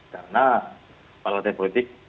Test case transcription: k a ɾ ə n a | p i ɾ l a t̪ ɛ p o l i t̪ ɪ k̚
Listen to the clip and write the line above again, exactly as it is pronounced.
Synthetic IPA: k a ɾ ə n a | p a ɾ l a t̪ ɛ p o l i t̪ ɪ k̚